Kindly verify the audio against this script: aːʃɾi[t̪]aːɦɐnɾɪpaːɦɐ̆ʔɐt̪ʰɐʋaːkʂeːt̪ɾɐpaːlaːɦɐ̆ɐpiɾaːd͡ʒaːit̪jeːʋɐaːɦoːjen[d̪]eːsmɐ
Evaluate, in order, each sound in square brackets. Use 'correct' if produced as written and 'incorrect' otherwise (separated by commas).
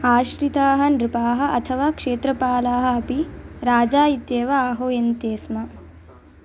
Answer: correct, incorrect